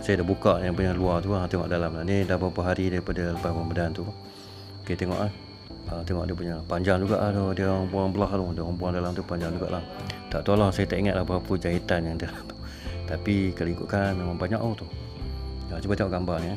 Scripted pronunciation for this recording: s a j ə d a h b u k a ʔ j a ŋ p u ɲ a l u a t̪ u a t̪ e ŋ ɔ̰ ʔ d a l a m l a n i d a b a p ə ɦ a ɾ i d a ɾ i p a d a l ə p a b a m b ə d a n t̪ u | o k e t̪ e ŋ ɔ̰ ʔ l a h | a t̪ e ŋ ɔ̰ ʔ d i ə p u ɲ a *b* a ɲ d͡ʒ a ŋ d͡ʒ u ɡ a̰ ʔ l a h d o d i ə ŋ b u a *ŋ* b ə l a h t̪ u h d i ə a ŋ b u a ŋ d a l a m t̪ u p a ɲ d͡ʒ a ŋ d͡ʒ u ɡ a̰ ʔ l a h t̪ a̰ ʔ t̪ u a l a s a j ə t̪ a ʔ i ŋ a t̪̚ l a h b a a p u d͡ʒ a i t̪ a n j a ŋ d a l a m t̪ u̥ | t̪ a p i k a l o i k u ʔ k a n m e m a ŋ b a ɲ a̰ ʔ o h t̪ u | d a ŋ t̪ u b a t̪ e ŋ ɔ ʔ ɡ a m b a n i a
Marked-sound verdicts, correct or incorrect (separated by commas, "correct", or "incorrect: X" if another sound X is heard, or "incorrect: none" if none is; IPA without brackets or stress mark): incorrect: p, correct